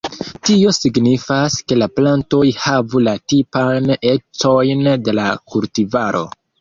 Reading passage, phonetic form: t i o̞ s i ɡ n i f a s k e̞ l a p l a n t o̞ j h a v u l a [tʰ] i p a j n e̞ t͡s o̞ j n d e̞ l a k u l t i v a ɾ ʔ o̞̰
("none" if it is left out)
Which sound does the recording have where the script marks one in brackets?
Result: t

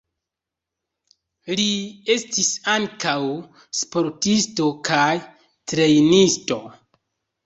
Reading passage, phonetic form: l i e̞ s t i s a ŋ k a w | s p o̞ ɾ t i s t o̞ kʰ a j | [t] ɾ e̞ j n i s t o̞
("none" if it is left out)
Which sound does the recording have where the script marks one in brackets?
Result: t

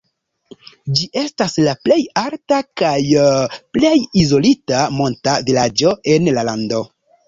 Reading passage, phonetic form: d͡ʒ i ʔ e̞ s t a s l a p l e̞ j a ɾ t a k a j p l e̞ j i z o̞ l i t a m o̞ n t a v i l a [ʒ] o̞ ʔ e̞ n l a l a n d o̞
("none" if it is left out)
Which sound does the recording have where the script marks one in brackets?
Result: d͡ʒ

